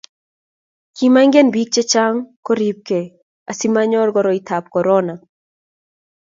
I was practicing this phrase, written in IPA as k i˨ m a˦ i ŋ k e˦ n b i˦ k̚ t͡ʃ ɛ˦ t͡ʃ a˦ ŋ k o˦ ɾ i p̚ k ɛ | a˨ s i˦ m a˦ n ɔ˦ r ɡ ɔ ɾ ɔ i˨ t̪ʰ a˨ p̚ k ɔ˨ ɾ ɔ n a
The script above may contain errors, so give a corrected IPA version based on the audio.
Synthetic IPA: k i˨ m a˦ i ŋ ɡ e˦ n b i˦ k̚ t͡ʃ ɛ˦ t͡ʃ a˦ ŋ k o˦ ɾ i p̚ k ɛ | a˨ s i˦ m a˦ ɲ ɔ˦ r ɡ ɔ ɾ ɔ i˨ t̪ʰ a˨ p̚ k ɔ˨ ɾ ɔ n a